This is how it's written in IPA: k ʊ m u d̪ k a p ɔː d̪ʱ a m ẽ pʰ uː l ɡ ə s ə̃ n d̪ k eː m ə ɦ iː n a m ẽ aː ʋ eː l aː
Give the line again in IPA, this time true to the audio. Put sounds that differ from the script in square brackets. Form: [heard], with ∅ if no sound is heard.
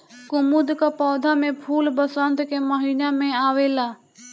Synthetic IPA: k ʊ m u d̪ k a p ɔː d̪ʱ a m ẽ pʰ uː l [b] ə s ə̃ n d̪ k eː m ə ɦ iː n a m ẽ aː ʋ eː l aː